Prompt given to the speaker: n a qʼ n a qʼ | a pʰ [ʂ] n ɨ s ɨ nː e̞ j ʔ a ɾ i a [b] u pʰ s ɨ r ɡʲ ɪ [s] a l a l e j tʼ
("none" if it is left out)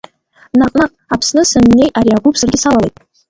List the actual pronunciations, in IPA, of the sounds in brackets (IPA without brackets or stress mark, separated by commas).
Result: s, ɡ, s